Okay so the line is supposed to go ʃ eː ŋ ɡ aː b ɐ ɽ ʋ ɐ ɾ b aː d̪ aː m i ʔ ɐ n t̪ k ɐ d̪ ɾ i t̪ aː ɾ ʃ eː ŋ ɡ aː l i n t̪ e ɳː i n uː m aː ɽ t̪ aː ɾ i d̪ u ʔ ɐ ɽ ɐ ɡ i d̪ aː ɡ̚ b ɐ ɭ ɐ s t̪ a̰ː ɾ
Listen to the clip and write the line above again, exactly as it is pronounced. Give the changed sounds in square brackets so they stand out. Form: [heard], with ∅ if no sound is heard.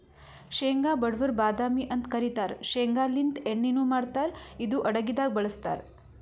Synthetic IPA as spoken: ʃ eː ŋ ɡ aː b ɐ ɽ ʋ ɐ ɾ b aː d̪ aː m i ʔ ɐ n t̪ k ɐ [∅] ɾ i t̪ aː ɾ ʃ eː ŋ ɡ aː l i n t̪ e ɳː i n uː m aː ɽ t̪ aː ɾ i d̪ u ʔ ɐ ɽ ɐ ɡ i d̪ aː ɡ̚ b ɐ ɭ ɐ s t̪ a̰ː ɾ